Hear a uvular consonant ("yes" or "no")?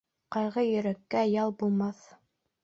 yes